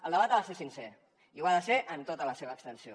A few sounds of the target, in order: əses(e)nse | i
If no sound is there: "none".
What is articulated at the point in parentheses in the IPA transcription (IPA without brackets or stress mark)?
i